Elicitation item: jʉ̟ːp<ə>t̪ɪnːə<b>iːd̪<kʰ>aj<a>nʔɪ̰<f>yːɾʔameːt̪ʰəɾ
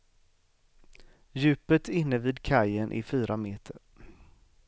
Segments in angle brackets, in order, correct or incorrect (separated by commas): correct, incorrect, correct, incorrect, correct